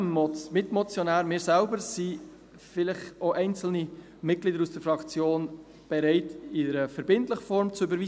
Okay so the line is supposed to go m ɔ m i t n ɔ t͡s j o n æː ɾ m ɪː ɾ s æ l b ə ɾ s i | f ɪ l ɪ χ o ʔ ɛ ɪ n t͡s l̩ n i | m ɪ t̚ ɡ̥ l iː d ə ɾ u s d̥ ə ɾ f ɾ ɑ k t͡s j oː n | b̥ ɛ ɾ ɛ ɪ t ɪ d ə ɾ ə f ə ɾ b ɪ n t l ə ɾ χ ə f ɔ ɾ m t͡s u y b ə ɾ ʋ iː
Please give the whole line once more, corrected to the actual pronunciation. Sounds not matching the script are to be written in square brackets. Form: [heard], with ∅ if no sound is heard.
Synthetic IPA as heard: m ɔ m [ɪ] t [m] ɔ t͡s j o n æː ɾ m ɪː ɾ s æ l b ə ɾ s i | f ɪ l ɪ χ o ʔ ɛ ɪ n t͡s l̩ n i | m ɪ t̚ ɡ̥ l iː d ə ɾ u s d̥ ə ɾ f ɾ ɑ k t͡s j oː n | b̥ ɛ ɾ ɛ ɪ t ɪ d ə ɾ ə f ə ɾ b ɪ n t l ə [∅] χ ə f ɔ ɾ m t͡s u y b ə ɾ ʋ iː